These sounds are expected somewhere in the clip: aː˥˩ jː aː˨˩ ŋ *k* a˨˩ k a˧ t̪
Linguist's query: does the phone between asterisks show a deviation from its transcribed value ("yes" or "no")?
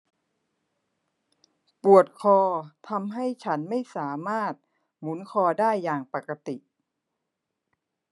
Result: yes